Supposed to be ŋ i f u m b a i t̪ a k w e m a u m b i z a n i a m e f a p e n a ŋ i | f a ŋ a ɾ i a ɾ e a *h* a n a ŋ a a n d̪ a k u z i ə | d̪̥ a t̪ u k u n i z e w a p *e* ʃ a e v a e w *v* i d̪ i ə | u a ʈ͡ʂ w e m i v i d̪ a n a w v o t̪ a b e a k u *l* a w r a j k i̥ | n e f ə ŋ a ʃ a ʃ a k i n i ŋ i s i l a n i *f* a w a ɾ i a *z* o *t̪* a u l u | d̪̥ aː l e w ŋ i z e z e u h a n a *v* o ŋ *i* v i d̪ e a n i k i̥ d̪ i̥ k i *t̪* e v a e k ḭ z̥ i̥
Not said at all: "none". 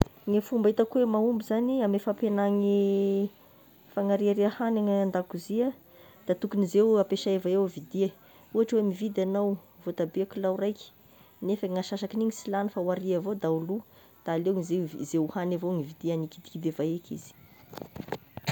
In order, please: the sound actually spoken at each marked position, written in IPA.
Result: h, e, v, l, f, v, d̪, v, i, d̪

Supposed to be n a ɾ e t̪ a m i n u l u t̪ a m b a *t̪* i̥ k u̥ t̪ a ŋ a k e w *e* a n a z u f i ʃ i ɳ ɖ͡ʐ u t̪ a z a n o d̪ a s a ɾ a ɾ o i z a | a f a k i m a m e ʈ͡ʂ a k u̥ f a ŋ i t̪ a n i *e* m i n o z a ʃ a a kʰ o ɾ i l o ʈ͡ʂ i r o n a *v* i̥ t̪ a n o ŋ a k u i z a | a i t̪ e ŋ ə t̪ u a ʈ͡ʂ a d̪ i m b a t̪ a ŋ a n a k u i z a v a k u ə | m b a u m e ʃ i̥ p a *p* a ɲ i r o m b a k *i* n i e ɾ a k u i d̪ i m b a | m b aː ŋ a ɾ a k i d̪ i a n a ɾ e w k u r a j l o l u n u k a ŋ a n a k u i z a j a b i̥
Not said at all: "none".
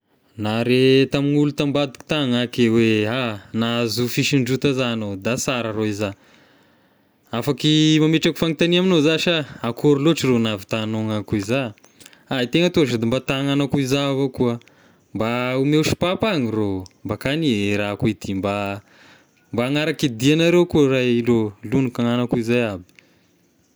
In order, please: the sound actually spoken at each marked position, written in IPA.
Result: d̪, e, a, v, p, a

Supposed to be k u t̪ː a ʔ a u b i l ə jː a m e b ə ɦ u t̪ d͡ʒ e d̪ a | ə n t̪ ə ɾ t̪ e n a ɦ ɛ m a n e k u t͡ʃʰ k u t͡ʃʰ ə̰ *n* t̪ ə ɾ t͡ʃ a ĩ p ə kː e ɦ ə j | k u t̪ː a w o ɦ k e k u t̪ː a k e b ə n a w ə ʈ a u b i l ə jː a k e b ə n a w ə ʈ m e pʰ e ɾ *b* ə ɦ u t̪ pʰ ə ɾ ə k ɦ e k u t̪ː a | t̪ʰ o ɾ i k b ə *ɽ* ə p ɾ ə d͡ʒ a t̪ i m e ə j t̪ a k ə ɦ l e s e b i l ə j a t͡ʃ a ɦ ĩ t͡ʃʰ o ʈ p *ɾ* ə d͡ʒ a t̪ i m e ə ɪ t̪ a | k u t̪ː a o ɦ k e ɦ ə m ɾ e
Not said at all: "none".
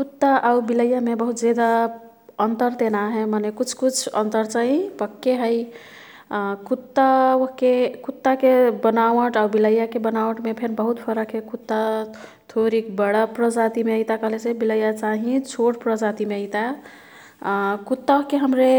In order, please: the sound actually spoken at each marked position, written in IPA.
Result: n, b, ɽ, ɾ

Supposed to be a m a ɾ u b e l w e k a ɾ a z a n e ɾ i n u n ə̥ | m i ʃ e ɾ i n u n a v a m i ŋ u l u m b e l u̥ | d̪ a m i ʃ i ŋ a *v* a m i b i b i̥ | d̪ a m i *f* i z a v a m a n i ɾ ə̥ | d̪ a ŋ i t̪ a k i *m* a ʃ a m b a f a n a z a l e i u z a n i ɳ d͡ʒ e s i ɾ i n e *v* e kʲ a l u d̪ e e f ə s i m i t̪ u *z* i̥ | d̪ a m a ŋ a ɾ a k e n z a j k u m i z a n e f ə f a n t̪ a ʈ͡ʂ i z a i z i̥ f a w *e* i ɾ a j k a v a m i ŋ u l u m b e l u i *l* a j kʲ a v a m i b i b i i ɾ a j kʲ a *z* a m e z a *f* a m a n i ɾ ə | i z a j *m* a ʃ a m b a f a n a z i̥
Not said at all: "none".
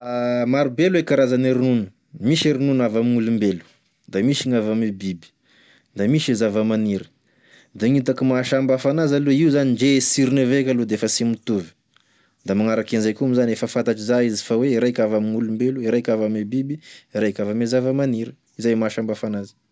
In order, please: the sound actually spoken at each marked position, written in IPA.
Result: v, ʃ, m, v, v, e, ɾ, v, v, m

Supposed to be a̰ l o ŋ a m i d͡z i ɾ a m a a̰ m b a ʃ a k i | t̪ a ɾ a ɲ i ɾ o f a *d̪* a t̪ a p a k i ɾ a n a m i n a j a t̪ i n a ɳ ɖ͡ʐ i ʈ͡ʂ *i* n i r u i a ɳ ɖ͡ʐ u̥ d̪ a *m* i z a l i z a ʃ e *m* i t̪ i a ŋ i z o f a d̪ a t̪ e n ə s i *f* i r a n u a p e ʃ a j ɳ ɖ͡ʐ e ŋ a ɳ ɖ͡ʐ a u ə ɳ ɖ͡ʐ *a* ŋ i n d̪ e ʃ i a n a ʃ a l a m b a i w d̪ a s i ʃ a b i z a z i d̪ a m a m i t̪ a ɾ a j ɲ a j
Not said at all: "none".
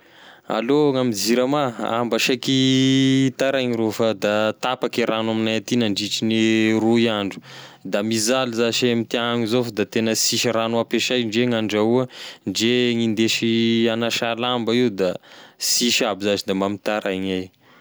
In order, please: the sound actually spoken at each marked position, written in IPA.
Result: d̪, i, m, m, ʃ, e

